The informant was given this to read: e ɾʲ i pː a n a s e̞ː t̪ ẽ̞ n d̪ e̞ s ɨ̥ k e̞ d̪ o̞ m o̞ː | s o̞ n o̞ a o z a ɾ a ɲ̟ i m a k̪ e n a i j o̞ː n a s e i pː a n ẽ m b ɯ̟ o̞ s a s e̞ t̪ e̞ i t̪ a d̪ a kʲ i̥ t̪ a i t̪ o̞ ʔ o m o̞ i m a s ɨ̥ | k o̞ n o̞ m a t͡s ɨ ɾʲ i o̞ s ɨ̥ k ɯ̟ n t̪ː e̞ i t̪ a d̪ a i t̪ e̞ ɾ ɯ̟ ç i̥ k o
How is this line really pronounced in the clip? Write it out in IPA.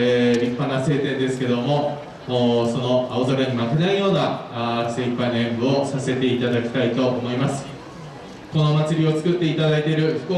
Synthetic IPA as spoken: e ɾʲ i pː a n a s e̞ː t̪ ẽ̞ n d̪ e̞ s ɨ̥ k e̞ d̪ o̞ m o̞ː | s o̞ n o̞ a o z a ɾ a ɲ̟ i m a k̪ e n a i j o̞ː n a s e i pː a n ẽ m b ɯ̟ o̞ s a s e̞ t̪ e̞ i t̪ a d̪ a kʲ i̥ t̪ a i t̪ o̞ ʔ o m o̞ i m a s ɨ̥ | k o̞ n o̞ m a t͡s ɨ ɾʲ i o̞ t͡s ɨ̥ k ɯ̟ t̪ː e̞ i t̪ a d̪ a i t̪ e̞ ɾ ɯ̟ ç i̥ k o